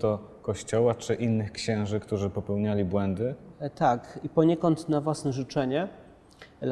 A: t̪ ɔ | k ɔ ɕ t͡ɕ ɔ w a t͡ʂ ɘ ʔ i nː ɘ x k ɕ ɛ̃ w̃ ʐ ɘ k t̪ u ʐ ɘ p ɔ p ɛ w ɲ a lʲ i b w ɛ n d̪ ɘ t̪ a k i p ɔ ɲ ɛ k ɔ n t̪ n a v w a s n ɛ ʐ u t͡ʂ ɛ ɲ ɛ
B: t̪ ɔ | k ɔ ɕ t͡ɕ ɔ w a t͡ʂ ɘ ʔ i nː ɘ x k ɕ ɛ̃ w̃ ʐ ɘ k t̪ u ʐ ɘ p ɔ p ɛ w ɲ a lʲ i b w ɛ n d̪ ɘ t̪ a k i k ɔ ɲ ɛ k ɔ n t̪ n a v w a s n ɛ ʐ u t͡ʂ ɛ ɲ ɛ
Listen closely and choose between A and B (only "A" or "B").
A